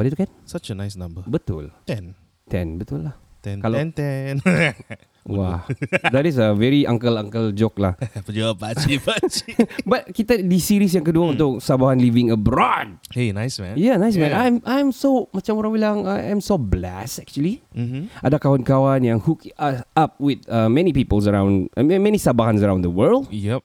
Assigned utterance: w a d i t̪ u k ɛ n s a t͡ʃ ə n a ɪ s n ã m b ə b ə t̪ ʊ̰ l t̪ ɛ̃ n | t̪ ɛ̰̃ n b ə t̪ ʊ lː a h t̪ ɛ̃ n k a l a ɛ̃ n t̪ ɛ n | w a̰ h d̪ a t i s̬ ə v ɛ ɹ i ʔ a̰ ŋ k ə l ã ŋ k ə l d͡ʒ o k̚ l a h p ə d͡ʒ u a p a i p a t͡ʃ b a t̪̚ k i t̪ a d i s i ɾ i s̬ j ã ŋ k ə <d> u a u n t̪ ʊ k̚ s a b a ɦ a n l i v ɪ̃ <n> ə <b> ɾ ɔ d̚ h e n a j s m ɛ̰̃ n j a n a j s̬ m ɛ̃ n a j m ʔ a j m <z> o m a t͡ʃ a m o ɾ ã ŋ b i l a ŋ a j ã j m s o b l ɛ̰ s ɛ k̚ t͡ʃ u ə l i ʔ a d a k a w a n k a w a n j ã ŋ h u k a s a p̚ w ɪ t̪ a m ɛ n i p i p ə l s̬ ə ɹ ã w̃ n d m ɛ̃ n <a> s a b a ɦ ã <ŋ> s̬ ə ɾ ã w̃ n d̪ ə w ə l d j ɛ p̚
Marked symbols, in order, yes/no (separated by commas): yes, no, yes, no, no, no